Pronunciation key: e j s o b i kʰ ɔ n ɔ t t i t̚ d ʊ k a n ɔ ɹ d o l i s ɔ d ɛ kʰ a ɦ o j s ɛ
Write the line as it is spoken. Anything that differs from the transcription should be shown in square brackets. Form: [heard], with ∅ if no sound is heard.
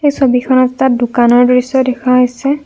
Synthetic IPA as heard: e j s o b i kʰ ɔ n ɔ t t [a] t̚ d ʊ k a n ɔ ɹ d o [ɹ] i s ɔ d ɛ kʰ a ɦ o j s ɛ